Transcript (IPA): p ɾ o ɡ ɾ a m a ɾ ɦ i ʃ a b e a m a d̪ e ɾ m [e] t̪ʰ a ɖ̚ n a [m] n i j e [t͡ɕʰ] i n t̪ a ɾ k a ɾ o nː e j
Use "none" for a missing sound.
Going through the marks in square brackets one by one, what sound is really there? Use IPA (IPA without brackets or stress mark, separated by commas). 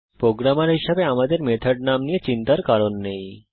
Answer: e, m, t͡ɕ